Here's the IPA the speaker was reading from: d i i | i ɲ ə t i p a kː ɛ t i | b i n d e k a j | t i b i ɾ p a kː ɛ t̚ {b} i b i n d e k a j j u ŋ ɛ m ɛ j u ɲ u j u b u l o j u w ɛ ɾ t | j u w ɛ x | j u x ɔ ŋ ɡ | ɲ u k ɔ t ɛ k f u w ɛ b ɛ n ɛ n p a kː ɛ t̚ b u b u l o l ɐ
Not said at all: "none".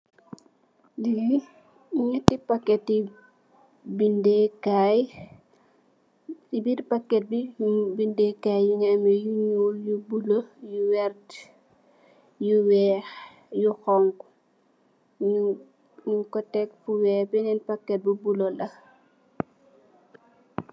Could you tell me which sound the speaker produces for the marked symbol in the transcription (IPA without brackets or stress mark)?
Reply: b